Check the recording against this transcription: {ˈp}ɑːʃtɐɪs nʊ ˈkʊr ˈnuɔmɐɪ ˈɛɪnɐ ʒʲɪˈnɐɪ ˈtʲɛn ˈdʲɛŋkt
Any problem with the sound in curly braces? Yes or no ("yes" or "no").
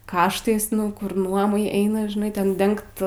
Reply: yes